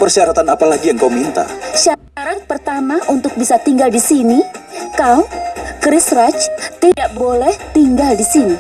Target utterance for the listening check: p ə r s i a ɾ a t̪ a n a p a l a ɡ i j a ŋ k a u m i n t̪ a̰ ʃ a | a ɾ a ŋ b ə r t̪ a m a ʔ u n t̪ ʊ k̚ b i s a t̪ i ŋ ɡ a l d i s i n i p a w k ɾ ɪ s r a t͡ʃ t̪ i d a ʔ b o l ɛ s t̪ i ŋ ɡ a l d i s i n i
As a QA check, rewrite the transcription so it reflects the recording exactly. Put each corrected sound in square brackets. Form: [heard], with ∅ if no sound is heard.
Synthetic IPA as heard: p ə r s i a ɾ a t̪ a n a p a l a ɡ i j a ŋ k a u m i n t̪ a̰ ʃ a | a ɾ a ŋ [p] ə r t̪ a m a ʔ u n t̪ ʊ k̚ b i s a t̪ i ŋ ɡ a l d i s i n i [k] a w k ɾ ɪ s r a t͡ʃ t̪ i d a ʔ b o l ɛ [h] t̪ i ŋ ɡ a l d i s i n i